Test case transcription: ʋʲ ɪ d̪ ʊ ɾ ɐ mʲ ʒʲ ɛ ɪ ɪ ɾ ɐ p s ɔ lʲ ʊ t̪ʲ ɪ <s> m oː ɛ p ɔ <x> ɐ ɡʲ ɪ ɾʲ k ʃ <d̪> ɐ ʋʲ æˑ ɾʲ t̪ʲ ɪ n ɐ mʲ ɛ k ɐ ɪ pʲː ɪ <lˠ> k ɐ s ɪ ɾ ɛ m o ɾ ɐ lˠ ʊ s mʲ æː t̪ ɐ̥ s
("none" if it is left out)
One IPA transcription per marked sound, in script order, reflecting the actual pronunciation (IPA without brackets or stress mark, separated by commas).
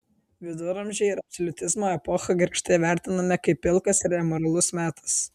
z, x, t̪, lˠ